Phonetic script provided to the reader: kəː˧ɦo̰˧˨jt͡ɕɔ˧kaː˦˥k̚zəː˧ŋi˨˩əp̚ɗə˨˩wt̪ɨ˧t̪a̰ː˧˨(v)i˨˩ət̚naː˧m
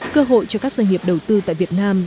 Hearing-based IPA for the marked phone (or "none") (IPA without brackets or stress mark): v